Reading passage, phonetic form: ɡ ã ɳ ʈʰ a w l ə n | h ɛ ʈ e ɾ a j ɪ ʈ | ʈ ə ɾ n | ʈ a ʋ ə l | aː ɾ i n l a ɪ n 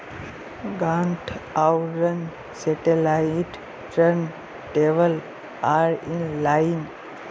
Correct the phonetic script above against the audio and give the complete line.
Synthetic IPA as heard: ɡ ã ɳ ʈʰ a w ɾ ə n | s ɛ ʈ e l a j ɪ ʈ | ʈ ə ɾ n | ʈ e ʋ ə l | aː ɾ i n l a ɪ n

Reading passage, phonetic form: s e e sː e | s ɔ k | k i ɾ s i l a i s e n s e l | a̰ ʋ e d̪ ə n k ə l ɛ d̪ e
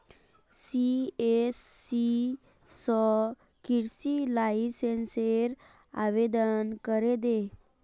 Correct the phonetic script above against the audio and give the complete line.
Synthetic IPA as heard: s i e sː i | s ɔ | k i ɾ s i l a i s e n s e ɾ | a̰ ʋ e d̪ ə n k ə ɾ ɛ d̪ e

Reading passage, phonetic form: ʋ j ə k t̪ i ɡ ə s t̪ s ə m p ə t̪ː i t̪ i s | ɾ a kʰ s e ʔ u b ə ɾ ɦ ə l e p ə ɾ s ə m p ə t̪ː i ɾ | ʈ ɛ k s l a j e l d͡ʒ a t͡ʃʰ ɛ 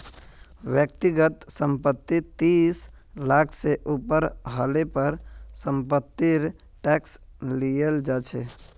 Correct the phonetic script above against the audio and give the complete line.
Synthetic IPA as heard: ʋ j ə k t̪ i ɡ ə t̪ s ə m p ə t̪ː i t̪ i s | l a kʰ s e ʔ u p ə ɾ ɦ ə l e p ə ɾ s ə m p ə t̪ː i ɾ | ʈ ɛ k s l i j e l d͡ʒ a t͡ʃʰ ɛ

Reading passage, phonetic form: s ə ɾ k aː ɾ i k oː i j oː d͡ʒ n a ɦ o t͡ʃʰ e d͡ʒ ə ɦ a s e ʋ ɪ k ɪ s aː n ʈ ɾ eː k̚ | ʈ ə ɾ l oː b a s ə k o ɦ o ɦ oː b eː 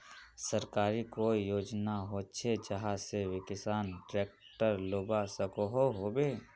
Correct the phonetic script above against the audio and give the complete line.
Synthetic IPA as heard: s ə ɾ k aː ɾ i k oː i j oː d͡ʒ n a ɦ o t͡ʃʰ e d͡ʒ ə ɦ a s e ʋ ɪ k ɪ s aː n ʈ ɾ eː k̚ | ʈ ə ɾ l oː b a s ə k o ɦ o ɦ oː b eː

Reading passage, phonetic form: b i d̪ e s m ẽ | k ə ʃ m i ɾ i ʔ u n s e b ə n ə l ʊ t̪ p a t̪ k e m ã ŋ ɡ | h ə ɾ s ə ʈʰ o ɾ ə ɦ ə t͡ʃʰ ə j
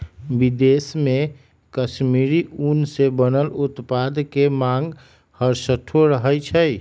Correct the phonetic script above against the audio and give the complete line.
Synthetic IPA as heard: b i d̪ e s m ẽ | k ə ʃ m i ɾ i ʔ u n s e b ə n ə l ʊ t̪ p a d̪ k e m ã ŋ ɡ | h ə ɾ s ə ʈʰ o ɾ ə ɦ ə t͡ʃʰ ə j

